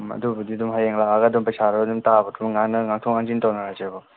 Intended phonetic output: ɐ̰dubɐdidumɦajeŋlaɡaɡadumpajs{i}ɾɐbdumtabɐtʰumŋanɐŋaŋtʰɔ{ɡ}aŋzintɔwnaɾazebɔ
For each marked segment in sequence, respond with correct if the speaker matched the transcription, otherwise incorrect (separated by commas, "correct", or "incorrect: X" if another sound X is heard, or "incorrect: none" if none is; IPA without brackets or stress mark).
incorrect: a, incorrect: ŋ